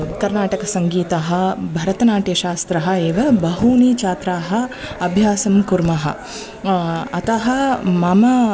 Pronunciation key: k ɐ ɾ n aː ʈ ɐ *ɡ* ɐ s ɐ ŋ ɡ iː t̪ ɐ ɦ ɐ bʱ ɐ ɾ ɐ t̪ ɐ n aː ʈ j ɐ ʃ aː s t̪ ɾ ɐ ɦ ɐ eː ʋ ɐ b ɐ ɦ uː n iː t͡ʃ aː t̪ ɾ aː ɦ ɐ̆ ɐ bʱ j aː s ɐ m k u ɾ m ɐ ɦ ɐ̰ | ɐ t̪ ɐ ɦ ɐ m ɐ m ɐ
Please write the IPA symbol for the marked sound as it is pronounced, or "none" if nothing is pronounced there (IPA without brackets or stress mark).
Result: k